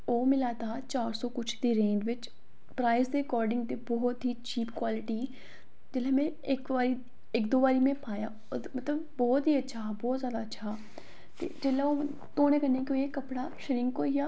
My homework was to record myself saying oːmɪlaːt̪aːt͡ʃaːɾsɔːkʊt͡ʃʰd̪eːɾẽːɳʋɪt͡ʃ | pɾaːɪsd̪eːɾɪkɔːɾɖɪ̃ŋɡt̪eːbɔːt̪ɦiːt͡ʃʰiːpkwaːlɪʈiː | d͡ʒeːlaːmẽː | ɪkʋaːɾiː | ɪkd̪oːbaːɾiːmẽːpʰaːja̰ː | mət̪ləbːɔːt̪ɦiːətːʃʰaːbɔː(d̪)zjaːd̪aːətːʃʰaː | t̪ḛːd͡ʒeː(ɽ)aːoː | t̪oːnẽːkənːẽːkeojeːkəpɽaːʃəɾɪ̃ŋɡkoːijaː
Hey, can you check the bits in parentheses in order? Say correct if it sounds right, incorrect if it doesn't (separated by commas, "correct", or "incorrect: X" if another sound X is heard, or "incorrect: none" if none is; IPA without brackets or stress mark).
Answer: incorrect: t̪, incorrect: l